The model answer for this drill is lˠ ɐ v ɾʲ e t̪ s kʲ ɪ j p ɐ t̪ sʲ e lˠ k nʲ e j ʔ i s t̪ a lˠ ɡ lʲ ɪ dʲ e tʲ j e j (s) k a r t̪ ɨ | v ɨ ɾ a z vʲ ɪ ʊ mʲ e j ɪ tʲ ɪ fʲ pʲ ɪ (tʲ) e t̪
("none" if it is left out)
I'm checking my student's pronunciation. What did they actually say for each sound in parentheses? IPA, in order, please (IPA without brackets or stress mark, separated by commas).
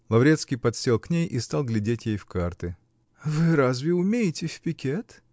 f, kʲ